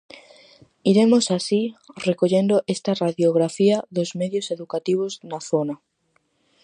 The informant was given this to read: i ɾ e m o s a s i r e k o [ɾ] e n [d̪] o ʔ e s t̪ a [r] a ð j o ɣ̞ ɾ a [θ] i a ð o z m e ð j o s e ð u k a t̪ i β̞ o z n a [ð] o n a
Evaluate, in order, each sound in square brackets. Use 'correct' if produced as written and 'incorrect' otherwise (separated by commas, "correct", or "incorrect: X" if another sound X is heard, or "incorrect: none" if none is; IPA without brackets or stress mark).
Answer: incorrect: ʎ, correct, correct, incorrect: f, incorrect: θ